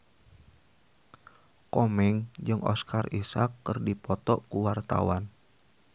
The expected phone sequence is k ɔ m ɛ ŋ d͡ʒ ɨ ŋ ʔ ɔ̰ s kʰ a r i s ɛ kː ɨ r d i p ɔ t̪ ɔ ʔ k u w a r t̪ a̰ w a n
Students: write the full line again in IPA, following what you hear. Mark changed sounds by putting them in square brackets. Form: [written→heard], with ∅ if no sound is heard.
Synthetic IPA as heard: k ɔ m ɛ ŋ d͡ʒ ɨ ŋ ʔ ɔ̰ s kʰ a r i s [ɛ→a] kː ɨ r d i p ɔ t̪ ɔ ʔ k u w a r t̪ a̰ w a n